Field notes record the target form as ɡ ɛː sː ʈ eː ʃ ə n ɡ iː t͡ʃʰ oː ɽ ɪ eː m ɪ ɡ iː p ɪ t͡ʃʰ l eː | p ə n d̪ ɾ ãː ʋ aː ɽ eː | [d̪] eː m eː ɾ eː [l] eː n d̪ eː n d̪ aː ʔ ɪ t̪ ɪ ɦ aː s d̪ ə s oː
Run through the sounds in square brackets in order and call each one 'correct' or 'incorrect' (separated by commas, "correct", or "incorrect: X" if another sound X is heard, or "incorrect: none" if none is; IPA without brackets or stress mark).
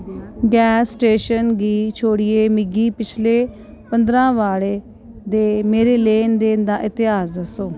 correct, correct